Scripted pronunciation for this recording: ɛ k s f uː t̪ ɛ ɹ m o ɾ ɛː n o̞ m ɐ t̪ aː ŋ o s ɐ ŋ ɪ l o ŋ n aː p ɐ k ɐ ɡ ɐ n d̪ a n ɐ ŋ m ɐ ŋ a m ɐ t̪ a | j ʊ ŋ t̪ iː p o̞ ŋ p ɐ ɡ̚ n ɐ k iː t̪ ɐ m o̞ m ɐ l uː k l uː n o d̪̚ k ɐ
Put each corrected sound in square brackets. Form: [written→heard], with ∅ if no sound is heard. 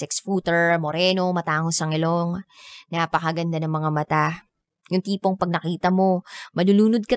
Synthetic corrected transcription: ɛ k s f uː t̪ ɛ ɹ m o ɾ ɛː n o̞ m ɐ t̪ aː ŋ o s ɐ ŋ ɪ l o ŋ n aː p ɐ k ɐ ɡ ɐ n d̪ a n ɐ ŋ m ɐ ŋ a m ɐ t̪ a | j ʊ ŋ t̪ iː p o̞ ŋ p ɐ ɡ̚ n ɐ k iː t̪ ɐ m o̞ m ɐ l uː [k→∅] l uː n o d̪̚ k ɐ